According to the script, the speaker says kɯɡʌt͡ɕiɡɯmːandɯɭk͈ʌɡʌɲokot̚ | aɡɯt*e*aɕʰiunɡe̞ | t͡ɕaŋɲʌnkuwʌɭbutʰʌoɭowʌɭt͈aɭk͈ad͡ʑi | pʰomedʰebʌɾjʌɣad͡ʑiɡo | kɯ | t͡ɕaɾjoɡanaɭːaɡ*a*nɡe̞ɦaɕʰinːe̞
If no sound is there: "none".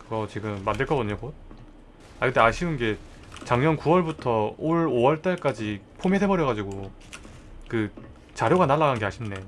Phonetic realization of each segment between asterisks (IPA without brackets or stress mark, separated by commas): e, a